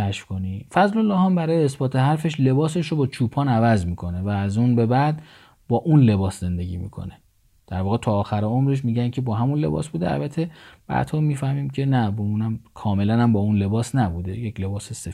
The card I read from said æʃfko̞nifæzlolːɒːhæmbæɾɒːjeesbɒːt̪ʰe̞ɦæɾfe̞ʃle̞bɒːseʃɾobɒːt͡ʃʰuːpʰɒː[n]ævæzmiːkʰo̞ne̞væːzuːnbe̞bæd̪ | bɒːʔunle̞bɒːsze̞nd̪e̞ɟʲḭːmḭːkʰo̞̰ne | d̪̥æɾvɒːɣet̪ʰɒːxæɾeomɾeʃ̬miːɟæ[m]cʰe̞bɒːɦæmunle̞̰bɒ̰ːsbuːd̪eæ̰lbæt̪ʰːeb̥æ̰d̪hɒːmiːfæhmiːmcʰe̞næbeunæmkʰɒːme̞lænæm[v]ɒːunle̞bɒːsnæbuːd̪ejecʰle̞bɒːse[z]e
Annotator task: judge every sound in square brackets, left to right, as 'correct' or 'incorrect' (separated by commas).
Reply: correct, incorrect, incorrect, incorrect